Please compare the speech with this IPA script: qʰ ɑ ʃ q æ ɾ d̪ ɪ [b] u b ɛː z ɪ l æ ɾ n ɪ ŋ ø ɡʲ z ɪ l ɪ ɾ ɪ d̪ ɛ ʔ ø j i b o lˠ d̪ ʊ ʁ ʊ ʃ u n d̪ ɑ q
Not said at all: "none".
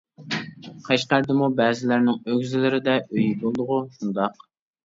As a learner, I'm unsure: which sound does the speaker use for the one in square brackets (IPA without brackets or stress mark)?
m